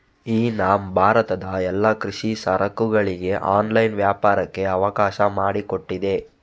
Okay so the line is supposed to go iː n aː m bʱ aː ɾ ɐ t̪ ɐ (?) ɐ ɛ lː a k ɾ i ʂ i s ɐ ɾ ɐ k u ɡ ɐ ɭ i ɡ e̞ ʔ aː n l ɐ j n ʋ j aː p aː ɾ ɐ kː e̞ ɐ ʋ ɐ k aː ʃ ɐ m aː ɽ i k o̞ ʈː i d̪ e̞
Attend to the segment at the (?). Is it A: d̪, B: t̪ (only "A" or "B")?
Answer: A